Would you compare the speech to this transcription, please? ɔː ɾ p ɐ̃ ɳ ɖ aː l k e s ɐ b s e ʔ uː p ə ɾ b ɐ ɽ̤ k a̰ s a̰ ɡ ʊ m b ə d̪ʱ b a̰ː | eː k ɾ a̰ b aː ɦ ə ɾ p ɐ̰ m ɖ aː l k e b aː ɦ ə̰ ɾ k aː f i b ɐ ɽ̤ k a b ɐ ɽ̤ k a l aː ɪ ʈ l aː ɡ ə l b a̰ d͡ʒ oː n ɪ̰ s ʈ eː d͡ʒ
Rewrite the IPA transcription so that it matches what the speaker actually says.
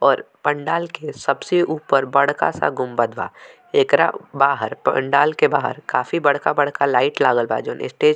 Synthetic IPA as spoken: ɔː ɾ p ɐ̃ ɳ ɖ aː l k e s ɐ b s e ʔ uː p ə ɾ b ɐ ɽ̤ k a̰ s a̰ ɡ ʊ m b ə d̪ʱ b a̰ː | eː k ɾ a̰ b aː ɦ ə ɾ p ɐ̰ ɳ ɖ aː l k e b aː ɦ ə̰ ɾ k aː f i b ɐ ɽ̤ k a b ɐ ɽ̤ k a l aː ɪ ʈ l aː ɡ ə l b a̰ d͡ʒ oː n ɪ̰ s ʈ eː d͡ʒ